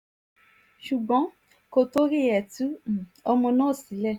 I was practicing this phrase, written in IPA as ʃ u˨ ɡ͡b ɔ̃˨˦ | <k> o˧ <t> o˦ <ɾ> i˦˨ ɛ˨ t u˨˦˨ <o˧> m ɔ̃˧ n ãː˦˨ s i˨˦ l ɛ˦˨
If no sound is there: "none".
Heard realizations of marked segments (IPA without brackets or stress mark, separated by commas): k, t, ɾ, ɔ˧